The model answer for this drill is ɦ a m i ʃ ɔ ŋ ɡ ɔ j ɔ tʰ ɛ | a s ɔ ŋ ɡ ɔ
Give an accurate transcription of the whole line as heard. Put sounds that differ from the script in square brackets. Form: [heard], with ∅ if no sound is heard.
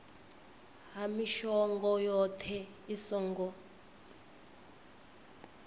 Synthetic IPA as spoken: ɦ a m i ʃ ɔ ŋ ɡ ɔ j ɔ tʰ ɛ | [i] s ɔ ŋ ɡ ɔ